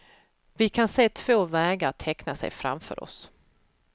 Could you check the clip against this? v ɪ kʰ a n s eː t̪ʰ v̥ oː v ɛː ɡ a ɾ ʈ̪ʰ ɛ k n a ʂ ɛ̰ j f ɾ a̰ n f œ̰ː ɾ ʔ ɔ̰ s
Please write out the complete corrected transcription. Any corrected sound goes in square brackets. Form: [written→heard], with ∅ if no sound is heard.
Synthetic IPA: v ɪ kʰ a n s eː t̪ʰ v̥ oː v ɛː ɡ a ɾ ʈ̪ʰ ɛ k n a [ʂ→s] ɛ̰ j f ɾ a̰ [n→m] f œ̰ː ɾ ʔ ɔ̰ s